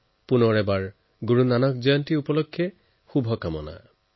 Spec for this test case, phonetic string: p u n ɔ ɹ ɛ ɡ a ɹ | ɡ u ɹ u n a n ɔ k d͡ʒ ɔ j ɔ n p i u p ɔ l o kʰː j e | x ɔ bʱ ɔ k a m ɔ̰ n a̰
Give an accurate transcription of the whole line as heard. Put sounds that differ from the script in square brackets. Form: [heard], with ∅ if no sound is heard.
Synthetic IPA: p u n ɔ ɹ ɛ [b] a ɹ | ɡ u ɹ u n a n ɔ k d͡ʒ ɔ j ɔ n [t] i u p ɔ l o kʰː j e | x [u] bʱ ɔ k a m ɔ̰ n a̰